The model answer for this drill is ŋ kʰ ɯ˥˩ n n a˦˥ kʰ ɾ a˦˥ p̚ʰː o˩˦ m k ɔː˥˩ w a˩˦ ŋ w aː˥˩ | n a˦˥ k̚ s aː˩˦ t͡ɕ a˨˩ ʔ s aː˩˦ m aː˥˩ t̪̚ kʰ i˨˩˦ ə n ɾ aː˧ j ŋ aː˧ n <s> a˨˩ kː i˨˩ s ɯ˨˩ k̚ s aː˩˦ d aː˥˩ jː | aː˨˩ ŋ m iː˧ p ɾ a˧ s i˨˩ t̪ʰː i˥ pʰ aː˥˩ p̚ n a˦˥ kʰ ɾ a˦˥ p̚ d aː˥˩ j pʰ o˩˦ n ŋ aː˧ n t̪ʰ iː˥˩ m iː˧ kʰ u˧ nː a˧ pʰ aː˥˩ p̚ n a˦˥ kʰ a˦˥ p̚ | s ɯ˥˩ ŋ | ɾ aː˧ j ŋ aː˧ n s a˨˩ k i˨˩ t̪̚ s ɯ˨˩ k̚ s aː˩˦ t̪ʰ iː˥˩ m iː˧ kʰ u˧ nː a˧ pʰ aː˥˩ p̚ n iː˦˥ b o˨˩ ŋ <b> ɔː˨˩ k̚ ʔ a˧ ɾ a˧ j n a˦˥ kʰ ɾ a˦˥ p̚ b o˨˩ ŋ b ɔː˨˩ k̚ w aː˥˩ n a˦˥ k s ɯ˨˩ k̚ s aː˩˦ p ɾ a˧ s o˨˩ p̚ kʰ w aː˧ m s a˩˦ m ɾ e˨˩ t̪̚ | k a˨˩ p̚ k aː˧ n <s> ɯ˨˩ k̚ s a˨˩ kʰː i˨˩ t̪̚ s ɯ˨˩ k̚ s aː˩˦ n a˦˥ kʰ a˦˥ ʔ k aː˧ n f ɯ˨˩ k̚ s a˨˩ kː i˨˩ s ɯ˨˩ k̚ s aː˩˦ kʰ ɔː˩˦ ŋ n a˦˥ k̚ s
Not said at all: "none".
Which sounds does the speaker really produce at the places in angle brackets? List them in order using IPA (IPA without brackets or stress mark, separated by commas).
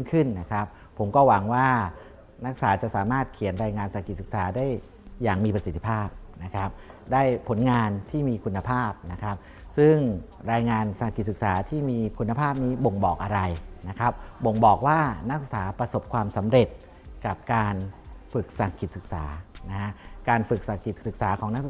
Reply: s, b, f